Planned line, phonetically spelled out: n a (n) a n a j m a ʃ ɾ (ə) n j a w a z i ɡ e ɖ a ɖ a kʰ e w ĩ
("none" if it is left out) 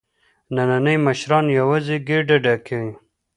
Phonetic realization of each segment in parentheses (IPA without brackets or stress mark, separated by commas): n, ɑ